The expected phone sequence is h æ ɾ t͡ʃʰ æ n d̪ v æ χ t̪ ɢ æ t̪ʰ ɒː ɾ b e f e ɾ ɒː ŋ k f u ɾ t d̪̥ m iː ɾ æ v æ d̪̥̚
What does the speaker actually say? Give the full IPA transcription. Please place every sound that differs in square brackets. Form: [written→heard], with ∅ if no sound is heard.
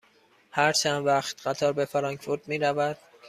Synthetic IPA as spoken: h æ ɾ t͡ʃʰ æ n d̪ v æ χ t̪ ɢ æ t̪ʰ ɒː ɾ b e f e ɾ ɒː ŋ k f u ɾ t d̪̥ m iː ɾ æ v æ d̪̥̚